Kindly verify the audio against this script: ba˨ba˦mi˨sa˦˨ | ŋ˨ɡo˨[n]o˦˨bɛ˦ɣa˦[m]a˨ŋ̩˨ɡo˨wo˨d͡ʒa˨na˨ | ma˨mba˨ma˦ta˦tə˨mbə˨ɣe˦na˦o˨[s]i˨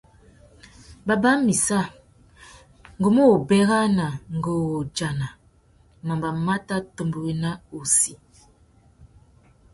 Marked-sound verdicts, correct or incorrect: incorrect, incorrect, correct

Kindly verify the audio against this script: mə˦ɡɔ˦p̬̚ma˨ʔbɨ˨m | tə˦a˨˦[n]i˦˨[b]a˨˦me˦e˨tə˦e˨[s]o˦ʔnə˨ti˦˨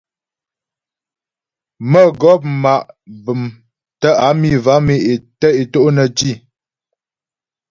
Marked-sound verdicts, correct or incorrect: incorrect, incorrect, incorrect

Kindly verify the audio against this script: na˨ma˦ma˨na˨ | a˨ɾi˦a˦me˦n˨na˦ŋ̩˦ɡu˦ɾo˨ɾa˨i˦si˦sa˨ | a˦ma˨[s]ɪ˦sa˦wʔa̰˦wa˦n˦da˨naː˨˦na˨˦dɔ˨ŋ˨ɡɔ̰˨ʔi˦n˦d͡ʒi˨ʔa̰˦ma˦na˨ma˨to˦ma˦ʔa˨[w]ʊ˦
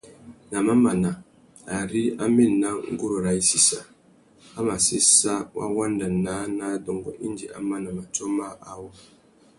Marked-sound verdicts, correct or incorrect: correct, correct

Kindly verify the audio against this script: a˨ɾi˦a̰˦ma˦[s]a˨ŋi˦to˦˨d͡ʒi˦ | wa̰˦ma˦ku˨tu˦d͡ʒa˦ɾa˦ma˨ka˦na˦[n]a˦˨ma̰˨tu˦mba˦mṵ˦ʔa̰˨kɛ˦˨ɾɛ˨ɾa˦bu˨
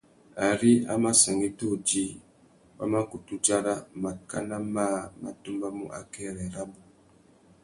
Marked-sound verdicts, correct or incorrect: correct, incorrect

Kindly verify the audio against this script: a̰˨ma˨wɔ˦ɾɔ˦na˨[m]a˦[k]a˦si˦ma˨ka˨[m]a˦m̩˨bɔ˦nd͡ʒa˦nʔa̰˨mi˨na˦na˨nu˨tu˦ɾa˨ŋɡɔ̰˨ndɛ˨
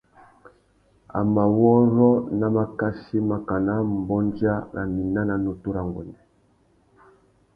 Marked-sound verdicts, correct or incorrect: correct, correct, incorrect

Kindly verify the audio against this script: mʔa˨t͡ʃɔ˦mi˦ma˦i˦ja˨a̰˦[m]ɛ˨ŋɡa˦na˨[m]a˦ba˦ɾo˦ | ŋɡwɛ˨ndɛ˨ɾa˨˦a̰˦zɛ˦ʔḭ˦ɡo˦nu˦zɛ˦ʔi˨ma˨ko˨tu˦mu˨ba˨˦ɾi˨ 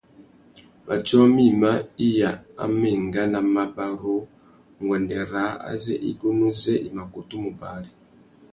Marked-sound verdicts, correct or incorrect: correct, correct

